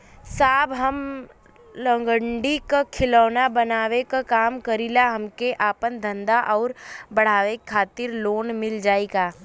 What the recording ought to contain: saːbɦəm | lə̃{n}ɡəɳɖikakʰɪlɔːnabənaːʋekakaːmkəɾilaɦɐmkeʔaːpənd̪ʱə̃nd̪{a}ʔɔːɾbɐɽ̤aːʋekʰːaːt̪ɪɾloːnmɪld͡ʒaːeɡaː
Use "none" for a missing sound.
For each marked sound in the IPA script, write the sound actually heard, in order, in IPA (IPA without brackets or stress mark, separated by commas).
ŋ, a